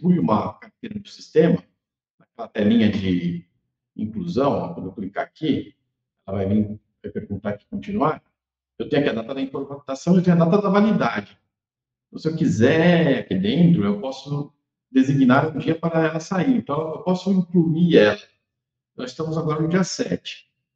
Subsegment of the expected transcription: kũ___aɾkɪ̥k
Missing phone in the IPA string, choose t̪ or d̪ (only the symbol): t̪